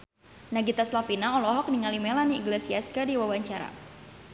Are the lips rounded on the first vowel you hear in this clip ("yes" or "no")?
no